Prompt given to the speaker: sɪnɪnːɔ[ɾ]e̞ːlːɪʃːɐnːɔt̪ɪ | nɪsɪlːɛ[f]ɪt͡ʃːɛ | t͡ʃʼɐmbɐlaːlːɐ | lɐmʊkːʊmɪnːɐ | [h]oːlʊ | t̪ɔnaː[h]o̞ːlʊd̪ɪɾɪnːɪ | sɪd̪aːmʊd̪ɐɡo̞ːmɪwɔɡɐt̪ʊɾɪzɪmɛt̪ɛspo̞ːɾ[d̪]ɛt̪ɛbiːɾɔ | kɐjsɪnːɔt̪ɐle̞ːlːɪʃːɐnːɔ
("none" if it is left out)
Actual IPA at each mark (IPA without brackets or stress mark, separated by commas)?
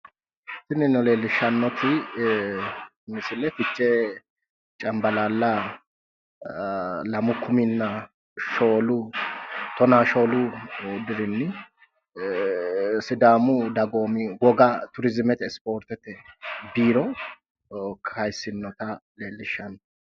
l, f, ʃ, ʃ, t̪